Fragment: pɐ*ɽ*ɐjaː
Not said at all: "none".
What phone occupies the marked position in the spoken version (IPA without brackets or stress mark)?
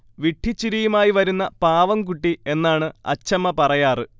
r